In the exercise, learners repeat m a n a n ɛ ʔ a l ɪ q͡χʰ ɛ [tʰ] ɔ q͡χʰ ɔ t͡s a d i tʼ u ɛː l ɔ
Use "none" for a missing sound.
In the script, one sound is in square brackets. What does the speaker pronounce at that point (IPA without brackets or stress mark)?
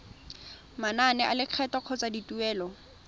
t